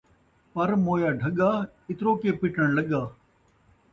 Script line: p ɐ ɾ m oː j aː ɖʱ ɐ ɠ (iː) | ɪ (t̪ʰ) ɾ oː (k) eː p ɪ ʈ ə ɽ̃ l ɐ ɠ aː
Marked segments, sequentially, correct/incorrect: incorrect: aː, incorrect: t̪, correct

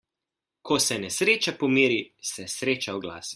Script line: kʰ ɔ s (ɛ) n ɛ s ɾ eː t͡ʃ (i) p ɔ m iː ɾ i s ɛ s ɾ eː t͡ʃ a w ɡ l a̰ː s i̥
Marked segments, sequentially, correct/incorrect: correct, incorrect: a

